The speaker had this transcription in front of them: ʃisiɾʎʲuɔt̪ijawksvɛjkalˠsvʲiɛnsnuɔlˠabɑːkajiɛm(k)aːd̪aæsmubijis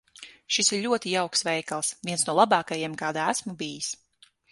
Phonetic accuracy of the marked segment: correct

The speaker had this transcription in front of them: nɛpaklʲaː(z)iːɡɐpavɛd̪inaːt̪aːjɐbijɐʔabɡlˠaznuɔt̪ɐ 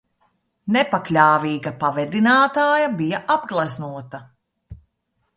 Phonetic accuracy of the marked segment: incorrect: v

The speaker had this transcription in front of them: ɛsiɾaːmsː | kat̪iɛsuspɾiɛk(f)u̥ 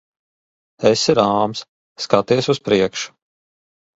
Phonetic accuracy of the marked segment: incorrect: ʃ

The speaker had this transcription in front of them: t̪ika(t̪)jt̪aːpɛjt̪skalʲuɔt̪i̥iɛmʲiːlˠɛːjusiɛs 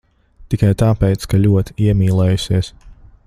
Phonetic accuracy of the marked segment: incorrect: none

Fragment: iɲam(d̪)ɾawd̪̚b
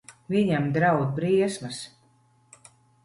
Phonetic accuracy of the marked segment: correct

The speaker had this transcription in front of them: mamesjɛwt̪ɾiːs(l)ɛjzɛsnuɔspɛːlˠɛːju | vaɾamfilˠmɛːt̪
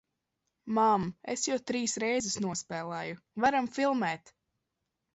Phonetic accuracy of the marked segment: incorrect: ɾ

